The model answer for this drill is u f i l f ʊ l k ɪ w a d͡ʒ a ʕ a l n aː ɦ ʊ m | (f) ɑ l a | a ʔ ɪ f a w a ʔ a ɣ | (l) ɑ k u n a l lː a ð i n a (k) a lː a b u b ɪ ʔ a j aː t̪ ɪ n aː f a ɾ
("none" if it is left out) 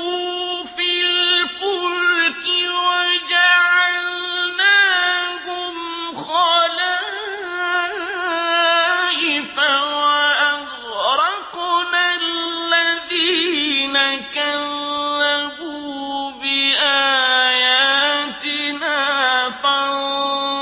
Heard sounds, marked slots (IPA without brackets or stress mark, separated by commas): x, ɾ, k